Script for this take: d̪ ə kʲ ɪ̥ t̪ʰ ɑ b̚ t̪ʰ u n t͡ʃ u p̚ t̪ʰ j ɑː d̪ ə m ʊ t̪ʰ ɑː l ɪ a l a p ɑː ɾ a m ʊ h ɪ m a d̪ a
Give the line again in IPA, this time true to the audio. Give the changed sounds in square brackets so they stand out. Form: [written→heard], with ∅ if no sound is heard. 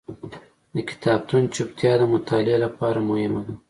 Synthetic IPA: d̪ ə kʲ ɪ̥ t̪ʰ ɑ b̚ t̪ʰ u n t͡ʃ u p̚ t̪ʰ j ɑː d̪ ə m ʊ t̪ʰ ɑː l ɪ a l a p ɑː ɾ a m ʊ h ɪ m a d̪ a